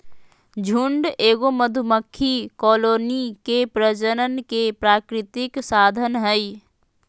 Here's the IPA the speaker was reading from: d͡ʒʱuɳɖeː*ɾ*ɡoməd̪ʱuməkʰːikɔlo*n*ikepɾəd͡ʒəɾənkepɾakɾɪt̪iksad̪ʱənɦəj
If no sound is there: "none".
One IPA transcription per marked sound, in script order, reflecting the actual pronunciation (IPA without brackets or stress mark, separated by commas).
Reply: none, n